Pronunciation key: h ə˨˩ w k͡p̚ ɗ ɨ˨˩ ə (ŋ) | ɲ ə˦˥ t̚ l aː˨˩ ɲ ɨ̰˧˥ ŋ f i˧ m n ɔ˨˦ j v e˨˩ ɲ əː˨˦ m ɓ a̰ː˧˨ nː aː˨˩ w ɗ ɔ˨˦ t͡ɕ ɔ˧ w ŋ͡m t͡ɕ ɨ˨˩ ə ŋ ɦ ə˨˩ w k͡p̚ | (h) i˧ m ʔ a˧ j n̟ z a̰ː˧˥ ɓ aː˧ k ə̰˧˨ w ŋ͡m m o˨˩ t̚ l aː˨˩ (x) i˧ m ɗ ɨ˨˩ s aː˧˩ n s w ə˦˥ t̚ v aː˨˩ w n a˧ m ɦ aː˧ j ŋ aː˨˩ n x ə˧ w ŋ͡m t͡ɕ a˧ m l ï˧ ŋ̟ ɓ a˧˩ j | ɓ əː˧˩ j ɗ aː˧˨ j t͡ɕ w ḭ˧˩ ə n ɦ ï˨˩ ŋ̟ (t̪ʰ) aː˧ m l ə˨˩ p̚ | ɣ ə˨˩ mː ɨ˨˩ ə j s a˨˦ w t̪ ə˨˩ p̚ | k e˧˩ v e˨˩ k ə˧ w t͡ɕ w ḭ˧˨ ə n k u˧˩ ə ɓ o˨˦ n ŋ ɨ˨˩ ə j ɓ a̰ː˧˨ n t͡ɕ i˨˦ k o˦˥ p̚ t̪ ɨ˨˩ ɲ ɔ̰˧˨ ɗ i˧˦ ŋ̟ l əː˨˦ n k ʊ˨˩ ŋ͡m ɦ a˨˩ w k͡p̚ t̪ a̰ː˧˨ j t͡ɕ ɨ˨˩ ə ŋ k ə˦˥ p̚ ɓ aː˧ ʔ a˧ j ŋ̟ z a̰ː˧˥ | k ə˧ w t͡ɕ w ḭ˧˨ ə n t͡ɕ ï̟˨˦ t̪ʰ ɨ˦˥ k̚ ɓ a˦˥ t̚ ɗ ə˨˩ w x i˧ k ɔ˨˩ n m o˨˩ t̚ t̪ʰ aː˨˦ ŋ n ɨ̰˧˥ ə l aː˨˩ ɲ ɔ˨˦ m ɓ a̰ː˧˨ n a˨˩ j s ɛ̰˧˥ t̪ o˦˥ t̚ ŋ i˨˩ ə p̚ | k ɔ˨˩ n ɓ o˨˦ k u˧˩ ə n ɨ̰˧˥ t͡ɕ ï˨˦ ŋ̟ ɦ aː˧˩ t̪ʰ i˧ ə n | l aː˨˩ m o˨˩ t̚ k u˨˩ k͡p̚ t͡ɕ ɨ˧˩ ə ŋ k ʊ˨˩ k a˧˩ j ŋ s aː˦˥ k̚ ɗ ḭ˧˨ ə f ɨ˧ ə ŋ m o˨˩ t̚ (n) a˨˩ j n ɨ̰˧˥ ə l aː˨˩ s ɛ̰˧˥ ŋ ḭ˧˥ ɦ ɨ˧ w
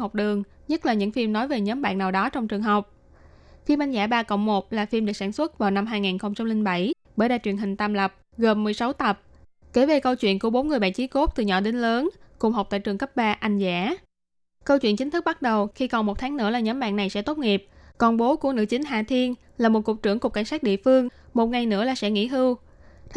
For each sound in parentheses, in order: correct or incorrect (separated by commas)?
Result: correct, incorrect, incorrect, incorrect, incorrect